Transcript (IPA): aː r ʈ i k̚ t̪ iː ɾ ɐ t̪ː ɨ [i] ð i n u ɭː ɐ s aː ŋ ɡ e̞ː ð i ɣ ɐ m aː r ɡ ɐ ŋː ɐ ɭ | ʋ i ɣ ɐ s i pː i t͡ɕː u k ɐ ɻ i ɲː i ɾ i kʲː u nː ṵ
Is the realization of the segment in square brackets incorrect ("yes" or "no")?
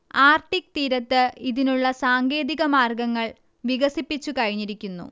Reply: no